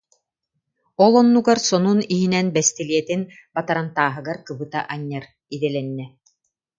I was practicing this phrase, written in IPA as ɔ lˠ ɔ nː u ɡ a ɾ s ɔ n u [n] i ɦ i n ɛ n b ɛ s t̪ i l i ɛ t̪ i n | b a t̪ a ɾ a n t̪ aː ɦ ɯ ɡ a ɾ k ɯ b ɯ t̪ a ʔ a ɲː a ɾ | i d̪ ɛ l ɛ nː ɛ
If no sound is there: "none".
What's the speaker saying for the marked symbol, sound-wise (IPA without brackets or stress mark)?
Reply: n